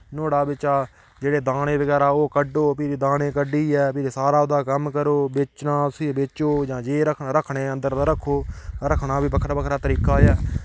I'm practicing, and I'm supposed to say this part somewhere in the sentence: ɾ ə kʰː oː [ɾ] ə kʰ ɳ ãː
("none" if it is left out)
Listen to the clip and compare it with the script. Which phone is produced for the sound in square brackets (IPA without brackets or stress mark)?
ɾ